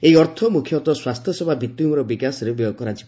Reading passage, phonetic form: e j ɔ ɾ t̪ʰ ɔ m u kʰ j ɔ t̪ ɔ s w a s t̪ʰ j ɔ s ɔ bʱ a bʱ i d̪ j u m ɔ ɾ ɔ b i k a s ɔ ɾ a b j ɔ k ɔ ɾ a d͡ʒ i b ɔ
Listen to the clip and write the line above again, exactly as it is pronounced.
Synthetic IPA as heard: e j ɔ ɾ t̪ʰ ɔ m u kʰ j ɔ t̪ ɔ s w a s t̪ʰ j ɔ s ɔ bʱ a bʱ i t̪ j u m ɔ ɾ ɔ b i k a s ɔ ɾ e b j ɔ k ɔ ɾ a d͡ʒ i b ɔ